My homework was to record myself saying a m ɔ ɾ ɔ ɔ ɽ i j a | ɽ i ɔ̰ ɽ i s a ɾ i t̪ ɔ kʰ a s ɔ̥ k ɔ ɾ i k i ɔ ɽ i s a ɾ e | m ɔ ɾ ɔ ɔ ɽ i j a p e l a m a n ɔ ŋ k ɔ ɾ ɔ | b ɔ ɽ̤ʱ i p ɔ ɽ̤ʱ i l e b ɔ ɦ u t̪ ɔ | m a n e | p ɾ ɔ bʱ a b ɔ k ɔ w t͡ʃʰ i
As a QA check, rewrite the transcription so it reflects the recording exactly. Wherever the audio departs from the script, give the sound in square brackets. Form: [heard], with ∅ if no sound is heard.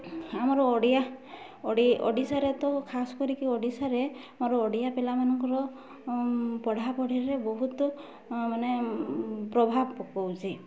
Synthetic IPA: a m ɔ ɾ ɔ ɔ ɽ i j a | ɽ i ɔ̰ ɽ i s a ɾ [e] t̪ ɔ kʰ a s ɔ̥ k ɔ ɾ i k i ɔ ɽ i s a ɾ e | m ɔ ɾ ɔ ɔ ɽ i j a p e l a m a n ɔ ŋ k ɔ ɾ ɔ | [p] ɔ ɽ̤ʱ [a] p ɔ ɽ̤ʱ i [ɾ] e b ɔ ɦ u t̪ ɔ | m a n e | p ɾ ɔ bʱ a b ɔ k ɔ w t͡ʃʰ i